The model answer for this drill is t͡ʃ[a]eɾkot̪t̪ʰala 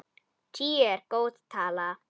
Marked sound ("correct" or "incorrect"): incorrect